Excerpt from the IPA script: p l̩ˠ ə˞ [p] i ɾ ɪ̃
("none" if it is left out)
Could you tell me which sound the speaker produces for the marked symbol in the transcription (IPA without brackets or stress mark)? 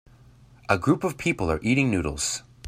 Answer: ʔ